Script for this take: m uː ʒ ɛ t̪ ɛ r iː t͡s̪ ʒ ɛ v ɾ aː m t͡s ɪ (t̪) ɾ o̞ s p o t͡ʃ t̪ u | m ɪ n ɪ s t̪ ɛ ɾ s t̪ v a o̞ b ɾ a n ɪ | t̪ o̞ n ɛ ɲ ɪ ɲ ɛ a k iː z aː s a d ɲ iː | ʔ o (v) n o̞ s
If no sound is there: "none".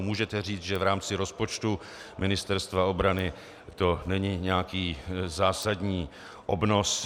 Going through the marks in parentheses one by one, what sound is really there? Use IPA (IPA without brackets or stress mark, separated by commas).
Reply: none, b